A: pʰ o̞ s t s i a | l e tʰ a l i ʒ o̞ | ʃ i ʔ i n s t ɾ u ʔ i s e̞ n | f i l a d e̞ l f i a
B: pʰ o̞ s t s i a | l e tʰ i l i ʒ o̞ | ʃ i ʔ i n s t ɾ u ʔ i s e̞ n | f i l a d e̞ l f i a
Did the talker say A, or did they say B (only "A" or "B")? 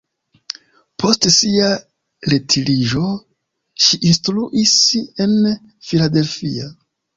B